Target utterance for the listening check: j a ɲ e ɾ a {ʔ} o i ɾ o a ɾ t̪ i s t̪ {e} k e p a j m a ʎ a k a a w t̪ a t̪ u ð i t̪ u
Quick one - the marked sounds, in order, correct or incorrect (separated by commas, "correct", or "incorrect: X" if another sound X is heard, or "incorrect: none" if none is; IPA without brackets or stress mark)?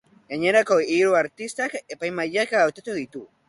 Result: incorrect: k, incorrect: a